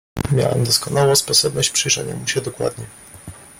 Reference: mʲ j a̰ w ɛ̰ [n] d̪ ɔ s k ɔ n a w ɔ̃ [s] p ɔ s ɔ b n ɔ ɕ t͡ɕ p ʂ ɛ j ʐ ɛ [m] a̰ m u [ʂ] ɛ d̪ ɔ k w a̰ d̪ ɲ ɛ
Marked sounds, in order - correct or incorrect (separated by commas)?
incorrect, correct, incorrect, incorrect